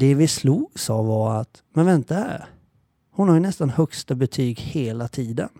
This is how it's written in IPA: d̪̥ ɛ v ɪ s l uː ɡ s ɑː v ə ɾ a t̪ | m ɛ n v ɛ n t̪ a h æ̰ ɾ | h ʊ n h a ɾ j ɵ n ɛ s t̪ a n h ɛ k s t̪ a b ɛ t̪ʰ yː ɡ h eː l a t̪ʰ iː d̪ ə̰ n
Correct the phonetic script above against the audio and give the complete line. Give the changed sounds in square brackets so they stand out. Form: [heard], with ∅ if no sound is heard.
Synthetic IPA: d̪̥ ɛ v ɪ s l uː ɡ s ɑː v [ɑ] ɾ a t̪ | m ɛ n v ɛ n t̪ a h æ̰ ɾ | h ʊ n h a ɾ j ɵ n ɛ s t̪ a n h [œ] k s t̪ a b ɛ t̪ʰ yː ɡ h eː l a t̪ʰ iː d̪ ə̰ n